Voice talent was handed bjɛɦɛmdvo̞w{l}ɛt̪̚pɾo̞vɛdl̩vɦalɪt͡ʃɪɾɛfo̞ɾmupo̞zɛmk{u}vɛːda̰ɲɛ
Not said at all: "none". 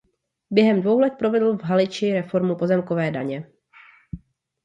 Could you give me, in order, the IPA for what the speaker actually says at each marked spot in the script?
l, o

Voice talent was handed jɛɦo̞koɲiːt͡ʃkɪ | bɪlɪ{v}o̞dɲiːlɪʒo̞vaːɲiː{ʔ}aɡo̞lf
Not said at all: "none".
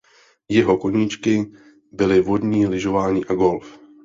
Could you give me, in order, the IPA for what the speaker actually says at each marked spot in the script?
v, ʔ

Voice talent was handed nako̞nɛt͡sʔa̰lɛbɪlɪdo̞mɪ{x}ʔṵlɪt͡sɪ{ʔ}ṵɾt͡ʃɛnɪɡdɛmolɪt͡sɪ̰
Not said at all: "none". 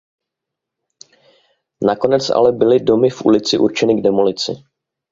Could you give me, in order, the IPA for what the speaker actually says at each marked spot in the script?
f, ʔ

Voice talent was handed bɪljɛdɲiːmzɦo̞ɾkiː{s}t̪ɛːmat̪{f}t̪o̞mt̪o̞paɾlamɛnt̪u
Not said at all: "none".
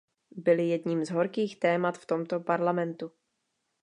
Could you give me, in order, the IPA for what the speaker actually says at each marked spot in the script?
x, f

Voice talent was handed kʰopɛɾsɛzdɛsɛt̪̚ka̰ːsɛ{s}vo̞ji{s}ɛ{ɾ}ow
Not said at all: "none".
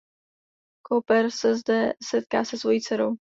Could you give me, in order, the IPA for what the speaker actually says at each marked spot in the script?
s, t͡s, ɾ

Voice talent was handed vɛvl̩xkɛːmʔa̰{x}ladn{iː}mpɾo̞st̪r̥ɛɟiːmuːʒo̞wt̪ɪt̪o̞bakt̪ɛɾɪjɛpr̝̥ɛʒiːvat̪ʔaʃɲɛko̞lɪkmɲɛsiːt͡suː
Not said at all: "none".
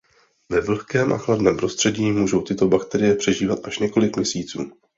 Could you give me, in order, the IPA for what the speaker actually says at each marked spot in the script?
x, ɛː

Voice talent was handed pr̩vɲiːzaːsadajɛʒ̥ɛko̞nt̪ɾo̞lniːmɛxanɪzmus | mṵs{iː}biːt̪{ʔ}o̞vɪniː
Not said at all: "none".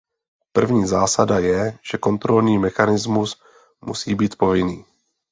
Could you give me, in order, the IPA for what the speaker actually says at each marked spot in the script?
iː, p

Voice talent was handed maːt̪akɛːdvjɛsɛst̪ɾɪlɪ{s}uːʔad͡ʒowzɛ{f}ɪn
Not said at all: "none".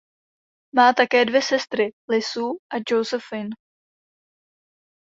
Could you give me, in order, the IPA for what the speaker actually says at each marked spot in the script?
s, f

